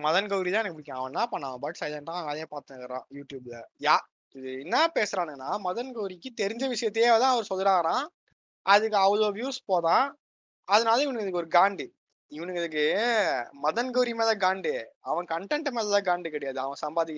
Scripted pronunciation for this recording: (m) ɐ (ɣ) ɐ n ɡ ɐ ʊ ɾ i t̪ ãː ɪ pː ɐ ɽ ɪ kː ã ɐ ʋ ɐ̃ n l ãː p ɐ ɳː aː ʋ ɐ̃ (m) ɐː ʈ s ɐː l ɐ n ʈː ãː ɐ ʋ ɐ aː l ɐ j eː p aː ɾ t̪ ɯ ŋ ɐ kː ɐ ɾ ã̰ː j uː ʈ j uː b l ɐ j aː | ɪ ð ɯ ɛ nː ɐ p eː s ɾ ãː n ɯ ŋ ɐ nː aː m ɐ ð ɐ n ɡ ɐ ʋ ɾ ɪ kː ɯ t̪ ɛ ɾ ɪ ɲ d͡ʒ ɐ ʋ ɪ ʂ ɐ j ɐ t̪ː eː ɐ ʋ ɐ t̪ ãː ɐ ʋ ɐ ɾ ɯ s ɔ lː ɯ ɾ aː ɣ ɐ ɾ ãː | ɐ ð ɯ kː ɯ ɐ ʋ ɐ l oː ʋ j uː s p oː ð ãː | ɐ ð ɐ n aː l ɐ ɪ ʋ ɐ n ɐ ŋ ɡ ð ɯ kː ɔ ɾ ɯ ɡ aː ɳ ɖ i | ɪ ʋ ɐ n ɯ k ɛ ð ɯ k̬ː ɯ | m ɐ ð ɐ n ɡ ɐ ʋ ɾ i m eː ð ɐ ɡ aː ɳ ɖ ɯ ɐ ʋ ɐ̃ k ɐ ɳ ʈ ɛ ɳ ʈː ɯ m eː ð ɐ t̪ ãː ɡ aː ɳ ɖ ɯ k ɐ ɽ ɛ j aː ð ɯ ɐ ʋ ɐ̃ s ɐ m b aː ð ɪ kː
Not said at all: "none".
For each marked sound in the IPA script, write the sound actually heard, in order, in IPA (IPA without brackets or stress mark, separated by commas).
m, ð, b